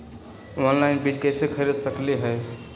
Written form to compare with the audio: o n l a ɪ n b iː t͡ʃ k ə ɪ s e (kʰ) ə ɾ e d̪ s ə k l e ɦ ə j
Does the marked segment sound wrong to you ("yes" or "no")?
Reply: no